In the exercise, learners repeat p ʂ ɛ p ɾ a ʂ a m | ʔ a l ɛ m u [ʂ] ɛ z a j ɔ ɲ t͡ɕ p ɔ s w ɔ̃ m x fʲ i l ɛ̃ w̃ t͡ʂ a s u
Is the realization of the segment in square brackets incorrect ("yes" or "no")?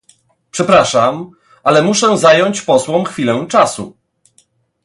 no